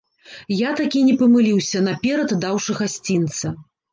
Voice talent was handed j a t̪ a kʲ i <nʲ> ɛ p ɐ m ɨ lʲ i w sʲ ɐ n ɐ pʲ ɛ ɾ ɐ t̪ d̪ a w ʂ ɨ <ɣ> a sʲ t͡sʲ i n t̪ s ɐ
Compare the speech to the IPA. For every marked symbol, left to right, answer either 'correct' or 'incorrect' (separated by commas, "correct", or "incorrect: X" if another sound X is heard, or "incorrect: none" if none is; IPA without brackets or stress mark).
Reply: correct, correct